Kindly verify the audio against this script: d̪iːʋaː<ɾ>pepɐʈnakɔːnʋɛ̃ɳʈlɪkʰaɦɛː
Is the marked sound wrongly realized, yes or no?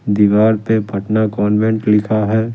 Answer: no